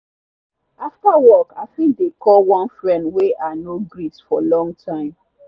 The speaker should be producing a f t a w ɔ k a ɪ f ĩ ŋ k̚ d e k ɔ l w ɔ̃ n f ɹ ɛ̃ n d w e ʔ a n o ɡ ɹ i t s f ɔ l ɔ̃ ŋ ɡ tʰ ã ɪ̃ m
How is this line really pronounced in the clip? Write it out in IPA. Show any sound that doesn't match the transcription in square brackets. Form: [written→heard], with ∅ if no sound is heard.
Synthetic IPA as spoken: a f t a w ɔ k a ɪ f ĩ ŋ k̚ d e k ɔ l w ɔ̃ n f ɹ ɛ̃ n d w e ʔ a n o ɡ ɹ i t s f ɔ l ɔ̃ ŋ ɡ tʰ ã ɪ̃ m